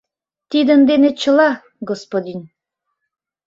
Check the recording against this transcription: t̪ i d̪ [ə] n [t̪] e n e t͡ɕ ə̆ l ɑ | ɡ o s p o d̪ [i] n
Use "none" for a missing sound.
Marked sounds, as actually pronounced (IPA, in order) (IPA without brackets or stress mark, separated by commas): ə, d̪, i